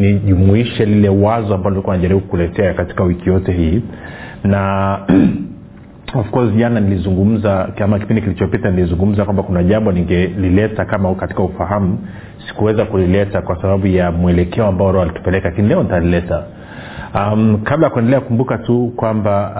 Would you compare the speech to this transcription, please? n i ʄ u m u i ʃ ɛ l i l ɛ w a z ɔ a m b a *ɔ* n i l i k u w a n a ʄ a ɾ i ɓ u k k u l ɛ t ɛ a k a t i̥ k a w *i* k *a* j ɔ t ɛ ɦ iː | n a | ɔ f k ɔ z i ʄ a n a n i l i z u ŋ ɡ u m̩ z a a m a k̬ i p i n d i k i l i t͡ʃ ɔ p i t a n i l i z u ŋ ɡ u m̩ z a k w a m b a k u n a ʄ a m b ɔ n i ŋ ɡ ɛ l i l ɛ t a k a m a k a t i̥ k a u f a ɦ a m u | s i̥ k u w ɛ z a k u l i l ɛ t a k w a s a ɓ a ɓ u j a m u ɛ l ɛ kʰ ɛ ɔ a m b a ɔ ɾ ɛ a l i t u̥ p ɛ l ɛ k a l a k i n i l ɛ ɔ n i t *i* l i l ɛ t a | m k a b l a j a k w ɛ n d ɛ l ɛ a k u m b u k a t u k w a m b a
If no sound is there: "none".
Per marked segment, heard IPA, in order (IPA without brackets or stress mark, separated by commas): ɔ, i, i, a